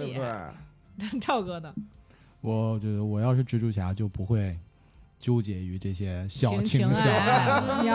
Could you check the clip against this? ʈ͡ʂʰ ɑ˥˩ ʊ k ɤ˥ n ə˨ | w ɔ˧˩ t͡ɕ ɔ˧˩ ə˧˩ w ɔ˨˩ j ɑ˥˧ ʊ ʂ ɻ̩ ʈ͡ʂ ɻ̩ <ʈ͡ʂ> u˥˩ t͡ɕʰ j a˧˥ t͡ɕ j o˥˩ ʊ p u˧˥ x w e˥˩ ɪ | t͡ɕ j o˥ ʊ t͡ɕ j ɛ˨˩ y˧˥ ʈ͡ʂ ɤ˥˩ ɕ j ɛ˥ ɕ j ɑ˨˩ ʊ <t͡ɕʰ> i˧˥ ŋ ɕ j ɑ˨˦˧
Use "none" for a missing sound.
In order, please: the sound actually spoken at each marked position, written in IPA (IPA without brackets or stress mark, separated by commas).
ʈ͡ʂ, t͡ɕʰ